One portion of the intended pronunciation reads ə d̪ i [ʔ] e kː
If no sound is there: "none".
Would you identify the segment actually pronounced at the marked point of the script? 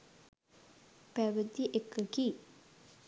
ʔ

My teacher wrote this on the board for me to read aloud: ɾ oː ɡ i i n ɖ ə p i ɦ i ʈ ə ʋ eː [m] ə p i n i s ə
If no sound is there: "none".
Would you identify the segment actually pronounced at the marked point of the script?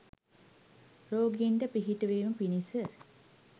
m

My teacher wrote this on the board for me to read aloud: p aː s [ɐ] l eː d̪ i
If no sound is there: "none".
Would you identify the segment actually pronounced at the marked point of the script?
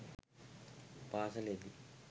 ɐ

